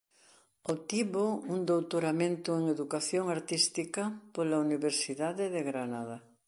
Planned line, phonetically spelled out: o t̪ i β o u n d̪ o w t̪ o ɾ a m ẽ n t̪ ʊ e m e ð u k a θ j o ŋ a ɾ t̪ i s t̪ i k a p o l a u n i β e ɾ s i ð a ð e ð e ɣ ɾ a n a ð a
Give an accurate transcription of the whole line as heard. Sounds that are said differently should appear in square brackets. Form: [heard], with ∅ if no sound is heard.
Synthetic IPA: o t̪ i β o u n d̪ o w t̪ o ɾ a m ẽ n t̪ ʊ e [ŋ] e ð u k a θ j o ŋ a ɾ t̪ i s t̪ i k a p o l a u n i β e ɾ s i ð a ð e ð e ɣ ɾ a n a ð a

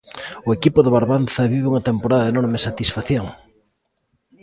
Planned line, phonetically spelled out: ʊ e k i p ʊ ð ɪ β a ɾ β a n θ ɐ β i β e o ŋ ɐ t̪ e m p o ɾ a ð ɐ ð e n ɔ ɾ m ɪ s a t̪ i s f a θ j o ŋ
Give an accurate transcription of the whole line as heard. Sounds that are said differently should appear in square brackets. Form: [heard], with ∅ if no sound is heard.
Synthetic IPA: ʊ e k i p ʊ ð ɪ β a ɾ β a n θ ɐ β i β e [u] ŋ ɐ t̪ e m p o ɾ a ð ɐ ð e n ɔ ɾ m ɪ s a t̪ i s f a θ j o ŋ

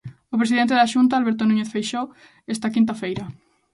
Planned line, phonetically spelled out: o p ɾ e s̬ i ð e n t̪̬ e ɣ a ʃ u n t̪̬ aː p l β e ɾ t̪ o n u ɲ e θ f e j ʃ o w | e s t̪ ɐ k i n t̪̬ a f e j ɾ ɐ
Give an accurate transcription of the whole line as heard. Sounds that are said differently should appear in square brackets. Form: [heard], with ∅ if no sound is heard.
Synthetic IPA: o p ɾ e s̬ i ð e n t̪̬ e [ð] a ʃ u n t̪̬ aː [∅] l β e ɾ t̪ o n u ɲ e θ f e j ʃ o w | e s t̪ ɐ k i n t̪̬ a f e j ɾ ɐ

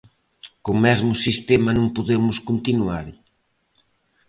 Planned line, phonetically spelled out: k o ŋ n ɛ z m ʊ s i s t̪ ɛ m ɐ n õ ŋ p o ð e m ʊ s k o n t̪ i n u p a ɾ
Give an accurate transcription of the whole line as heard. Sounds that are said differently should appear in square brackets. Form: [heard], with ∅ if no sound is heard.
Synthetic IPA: k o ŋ [m] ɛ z m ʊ s i s t̪ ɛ m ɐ n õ ŋ p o ð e m ʊ s k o n t̪ i n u [∅] a ɾ

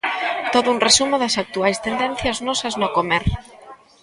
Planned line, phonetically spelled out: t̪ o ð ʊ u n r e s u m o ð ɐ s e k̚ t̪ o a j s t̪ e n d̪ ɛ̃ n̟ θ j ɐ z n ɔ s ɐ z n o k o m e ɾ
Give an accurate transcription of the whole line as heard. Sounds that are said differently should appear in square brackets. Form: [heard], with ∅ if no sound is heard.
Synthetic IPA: t̪ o ð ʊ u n r e s u m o ð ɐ s [a] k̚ t̪ [u] a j s t̪ e n d̪ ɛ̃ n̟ θ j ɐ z n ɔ s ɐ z n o k o m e ɾ

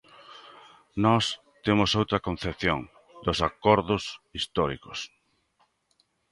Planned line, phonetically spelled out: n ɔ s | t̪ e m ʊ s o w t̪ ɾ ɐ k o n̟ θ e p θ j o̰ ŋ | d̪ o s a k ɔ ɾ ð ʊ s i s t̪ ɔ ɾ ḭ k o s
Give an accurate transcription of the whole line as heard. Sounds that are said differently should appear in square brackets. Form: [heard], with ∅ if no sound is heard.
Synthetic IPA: n ɔ s | t̪ e m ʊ s o w t̪ ɾ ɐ k o n̟ θ e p θ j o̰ ŋ | d̪ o s a k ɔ ɾ ð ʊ s i s t̪ ɔ ɾ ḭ k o s

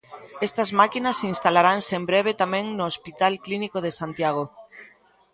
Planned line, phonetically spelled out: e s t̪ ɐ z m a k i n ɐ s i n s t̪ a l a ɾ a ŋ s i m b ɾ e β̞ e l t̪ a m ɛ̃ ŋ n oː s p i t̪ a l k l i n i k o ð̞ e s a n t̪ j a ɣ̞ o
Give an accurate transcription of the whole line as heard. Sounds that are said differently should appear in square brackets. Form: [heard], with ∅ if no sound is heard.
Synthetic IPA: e s t̪ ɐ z m a k i n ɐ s i n s t̪ a l a ɾ a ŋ s [e] m b ɾ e β̞ e [∅] t̪ a m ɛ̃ ŋ n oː s p i t̪ a l k l i n i k o ð̞ e s a n t̪ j a ɣ̞ o

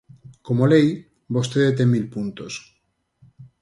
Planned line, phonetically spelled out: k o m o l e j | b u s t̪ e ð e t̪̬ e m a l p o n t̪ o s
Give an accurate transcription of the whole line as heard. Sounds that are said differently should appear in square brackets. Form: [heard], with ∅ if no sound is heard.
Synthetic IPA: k o m o l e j | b [o] s t̪ e ð e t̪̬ e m [i] l p [u] n t̪ o s

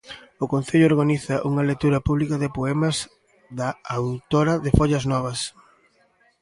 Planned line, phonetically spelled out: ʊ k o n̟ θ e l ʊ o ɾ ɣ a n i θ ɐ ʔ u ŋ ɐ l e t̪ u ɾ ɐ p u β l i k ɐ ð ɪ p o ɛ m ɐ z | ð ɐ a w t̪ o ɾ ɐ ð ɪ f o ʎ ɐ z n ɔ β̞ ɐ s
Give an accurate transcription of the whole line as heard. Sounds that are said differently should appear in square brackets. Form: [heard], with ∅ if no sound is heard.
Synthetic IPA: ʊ k o n̟ θ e [ʎ] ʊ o ɾ ɣ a n i θ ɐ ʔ u ŋ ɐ l e t̪ u ɾ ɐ p u β l i k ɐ ð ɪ p o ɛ m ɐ z | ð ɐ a w t̪ o ɾ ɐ ð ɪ f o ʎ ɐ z n ɔ β̞ ɐ s

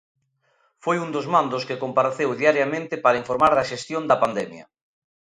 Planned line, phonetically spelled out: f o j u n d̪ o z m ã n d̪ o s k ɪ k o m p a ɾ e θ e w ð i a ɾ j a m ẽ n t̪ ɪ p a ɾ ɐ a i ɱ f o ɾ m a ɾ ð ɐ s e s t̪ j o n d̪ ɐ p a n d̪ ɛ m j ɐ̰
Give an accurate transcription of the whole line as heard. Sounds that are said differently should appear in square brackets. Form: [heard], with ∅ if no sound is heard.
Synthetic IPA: f o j u n d̪ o z m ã n d̪ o s k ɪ k o m p a ɾ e θ e w ð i a ɾ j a m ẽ n t̪ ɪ p a ɾ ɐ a i ɱ f o ɾ m a ɾ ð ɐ [ʃ] e s t̪ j o n d̪ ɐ p a n d̪ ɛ m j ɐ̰

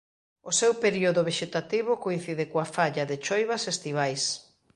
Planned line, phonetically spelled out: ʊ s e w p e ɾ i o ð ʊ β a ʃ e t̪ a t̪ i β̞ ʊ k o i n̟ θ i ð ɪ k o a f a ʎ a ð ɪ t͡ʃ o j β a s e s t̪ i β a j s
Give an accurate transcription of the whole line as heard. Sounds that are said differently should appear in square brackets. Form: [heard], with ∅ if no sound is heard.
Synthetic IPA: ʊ s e w p e ɾ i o ð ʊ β [e] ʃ e t̪ a t̪ i β̞ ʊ k o i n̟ θ i ð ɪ k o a f a ʎ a ð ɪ t͡ʃ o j β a s e s t̪ i β a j s

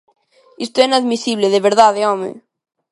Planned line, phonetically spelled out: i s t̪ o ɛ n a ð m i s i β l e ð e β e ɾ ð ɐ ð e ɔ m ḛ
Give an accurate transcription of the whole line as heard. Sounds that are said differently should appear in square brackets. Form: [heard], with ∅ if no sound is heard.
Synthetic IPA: i s t̪ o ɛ n a ð m i s i β l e ð e β e ɾ ð [a] ð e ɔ m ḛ

